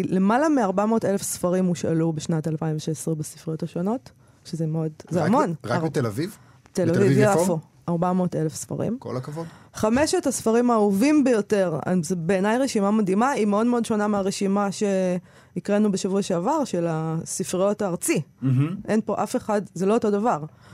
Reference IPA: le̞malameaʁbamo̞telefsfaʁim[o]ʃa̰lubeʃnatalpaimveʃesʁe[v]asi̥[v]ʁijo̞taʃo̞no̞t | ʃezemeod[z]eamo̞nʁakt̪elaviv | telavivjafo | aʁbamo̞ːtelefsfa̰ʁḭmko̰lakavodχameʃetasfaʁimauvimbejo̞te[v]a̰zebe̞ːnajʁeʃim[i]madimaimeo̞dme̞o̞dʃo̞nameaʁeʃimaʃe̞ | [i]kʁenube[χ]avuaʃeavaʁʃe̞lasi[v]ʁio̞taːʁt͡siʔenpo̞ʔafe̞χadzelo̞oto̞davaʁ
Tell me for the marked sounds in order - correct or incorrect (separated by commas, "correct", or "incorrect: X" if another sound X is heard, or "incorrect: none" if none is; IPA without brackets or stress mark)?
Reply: incorrect: u, incorrect: b, incorrect: f, correct, incorrect: ʁ, incorrect: a, correct, incorrect: ʃ, incorrect: f